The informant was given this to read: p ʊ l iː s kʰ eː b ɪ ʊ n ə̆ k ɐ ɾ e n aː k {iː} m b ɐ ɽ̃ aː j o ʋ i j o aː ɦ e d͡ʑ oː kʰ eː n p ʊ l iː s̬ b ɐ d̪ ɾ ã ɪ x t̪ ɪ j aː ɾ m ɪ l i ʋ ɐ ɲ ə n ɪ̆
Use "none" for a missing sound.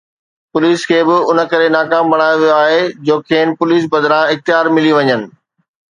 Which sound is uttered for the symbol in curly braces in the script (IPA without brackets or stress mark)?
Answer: aː